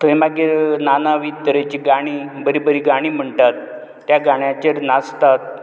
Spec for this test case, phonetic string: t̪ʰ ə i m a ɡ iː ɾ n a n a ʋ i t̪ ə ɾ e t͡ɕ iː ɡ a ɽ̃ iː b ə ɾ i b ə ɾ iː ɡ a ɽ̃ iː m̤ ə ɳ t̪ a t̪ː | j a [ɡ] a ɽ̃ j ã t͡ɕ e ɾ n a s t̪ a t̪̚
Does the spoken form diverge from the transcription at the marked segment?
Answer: no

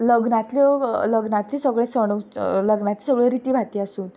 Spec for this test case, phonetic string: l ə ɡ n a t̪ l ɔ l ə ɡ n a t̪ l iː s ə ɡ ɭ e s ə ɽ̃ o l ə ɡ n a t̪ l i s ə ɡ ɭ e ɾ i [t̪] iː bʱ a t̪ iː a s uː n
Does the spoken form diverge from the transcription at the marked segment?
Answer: no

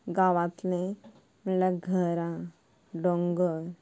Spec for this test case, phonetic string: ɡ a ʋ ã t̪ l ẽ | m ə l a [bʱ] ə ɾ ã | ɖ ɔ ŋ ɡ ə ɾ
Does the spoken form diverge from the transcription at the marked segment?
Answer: yes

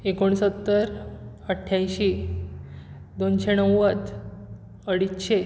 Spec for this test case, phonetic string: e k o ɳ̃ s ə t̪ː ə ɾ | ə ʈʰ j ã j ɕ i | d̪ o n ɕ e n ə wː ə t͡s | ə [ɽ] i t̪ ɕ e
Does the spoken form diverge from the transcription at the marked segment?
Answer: no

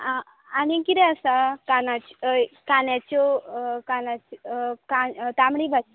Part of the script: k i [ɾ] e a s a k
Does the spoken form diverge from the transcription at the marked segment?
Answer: no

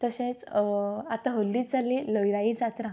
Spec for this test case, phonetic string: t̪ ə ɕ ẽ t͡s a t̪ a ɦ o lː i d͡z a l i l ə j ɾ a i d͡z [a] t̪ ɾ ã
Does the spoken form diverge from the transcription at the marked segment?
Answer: no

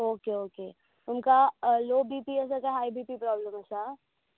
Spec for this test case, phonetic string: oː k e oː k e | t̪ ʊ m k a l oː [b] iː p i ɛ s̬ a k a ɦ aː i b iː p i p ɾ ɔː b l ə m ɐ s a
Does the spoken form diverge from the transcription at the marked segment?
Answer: no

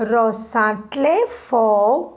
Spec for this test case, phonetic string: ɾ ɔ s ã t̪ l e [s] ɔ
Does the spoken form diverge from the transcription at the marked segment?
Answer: yes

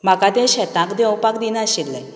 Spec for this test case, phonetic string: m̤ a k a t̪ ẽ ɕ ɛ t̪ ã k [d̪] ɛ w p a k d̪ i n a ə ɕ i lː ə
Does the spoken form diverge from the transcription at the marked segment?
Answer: no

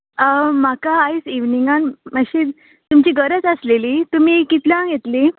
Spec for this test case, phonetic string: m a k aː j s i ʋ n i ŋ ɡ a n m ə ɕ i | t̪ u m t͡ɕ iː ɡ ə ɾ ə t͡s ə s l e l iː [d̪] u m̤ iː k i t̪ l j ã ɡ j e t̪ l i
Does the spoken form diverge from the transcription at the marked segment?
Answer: yes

